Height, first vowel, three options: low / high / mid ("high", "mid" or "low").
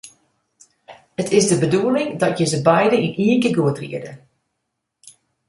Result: mid